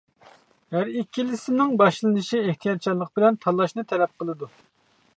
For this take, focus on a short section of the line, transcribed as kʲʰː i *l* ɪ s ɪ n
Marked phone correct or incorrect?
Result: correct